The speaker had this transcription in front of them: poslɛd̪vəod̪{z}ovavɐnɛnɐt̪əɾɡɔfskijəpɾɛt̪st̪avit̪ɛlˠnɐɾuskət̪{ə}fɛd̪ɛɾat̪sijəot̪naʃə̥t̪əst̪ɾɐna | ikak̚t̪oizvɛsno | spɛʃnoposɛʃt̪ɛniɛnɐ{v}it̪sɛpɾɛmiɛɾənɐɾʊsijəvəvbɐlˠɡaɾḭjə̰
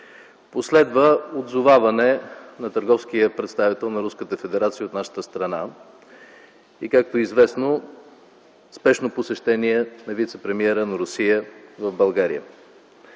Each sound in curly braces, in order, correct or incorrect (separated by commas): correct, correct, correct